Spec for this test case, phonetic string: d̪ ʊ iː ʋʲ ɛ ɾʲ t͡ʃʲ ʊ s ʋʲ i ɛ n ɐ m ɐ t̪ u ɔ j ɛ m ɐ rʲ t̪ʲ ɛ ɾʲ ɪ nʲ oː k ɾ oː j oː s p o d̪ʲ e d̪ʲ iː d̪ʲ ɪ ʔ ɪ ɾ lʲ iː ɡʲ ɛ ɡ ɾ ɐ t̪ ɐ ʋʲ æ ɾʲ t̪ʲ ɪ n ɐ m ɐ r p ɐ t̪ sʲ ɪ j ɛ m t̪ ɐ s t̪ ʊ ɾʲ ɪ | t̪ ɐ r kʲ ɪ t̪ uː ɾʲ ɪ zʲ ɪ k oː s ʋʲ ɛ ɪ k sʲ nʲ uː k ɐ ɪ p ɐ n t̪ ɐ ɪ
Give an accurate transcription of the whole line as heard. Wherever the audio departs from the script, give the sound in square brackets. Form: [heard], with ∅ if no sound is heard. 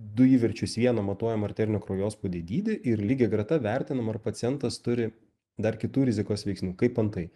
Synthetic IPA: d̪ ʊ iː ʋʲ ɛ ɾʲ t͡ʃʲ ʊ s ʋʲ i ɛ n ɐ m ɐ t̪ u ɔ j ɛ m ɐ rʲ t̪ʲ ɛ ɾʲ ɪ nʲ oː k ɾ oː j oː s p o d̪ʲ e d̪ʲ iː d̪ʲ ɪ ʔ ɪ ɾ lʲ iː ɡʲ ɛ ɡ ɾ ɐ t̪ ɐ ʋʲ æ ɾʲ t̪ʲ ɪ n ɐ m ɐ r p ɐ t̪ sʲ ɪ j ɛ [n] t̪ ɐ s t̪ ʊ ɾʲ ɪ | [d̪] ɐ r kʲ ɪ t̪ uː ɾʲ ɪ zʲ ɪ k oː s ʋʲ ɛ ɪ k sʲ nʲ uː k ɐ ɪ p ɐ n t̪ ɐ ɪ